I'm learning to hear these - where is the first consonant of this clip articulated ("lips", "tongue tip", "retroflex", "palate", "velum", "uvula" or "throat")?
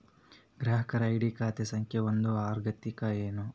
velum